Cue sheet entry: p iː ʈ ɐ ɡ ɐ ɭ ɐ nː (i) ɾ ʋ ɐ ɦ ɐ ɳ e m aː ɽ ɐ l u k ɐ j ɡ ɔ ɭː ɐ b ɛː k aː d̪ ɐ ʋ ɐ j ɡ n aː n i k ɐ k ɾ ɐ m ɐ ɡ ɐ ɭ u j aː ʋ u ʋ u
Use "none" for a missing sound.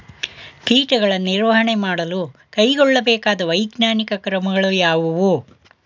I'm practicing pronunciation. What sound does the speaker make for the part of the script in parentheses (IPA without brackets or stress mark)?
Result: i